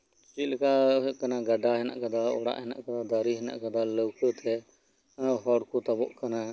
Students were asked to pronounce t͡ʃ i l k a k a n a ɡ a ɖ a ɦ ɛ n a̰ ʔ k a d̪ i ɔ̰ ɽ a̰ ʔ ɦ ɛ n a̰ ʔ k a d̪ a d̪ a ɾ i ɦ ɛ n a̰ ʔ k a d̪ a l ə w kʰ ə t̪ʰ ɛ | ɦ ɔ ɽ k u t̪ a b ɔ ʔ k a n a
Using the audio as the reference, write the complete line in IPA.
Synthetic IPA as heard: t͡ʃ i l k a k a n a ɡ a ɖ a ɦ ɛ n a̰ ʔ k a d̪ a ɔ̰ ɽ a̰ ʔ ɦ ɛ n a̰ ʔ k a d̪ a d̪ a ɾ i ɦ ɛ n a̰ ʔ k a d̪ a l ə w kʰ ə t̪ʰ ɛ | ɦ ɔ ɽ k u t̪ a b ɔ ʔ k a n a